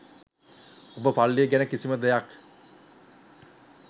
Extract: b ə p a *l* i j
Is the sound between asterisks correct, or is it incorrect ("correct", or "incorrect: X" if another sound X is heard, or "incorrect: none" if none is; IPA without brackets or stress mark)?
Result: incorrect: lː